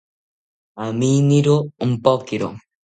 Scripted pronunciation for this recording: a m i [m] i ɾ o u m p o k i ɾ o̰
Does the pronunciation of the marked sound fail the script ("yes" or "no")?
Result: yes